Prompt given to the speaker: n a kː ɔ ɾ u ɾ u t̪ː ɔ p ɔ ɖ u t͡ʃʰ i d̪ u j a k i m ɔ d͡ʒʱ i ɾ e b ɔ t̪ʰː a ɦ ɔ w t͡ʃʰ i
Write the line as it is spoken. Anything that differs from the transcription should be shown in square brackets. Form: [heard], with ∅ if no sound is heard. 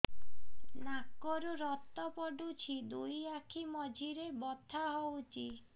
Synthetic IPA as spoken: n a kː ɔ ɾ u ɾ [ɔ] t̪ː ɔ p ɔ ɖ u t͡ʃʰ i d̪ u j a [kʰ] i m ɔ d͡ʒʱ i ɾ e b ɔ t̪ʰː a ɦ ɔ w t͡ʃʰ i